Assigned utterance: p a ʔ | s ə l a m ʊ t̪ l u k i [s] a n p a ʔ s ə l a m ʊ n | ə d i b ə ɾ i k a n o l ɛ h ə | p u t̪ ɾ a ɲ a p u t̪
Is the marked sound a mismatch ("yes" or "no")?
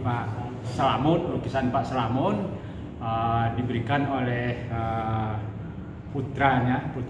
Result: no